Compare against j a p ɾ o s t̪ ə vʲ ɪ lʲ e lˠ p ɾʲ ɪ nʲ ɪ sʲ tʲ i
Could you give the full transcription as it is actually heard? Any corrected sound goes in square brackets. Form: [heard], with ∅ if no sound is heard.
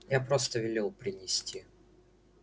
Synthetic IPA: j a p ɾ o s t̪ ə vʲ ɪ lʲ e lˠ p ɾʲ ɪ nʲ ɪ sʲ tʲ i